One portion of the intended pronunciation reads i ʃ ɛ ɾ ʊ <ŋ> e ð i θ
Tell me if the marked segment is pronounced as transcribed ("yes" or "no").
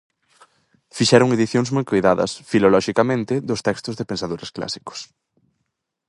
yes